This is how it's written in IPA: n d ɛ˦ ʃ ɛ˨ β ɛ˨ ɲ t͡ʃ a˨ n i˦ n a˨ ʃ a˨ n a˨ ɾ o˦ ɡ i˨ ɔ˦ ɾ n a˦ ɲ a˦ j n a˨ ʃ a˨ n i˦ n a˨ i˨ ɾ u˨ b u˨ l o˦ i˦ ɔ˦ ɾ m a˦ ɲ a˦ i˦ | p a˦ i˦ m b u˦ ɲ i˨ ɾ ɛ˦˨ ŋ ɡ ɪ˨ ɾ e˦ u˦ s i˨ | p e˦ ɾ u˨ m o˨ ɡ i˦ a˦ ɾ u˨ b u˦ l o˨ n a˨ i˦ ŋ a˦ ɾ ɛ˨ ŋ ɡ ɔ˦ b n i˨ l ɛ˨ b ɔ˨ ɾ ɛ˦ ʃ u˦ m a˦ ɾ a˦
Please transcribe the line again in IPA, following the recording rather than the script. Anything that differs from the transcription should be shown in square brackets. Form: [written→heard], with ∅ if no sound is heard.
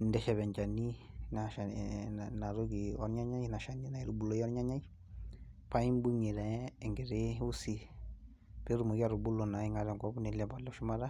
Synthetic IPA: n d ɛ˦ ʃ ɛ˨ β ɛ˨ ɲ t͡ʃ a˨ n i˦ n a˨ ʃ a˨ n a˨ ɾ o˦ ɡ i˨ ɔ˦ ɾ [n→ɲ] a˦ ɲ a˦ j n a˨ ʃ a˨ n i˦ n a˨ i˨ ɾ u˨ b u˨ l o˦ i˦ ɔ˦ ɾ [m→ɲ] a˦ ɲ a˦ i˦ | p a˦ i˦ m b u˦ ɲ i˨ ɾ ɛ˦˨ ŋ ɡ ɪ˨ ɾ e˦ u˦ s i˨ | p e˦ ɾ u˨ m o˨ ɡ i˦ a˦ ɾ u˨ b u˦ l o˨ n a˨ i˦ ŋ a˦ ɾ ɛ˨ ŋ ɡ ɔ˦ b n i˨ l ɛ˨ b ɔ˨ [ɾ→l] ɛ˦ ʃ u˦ m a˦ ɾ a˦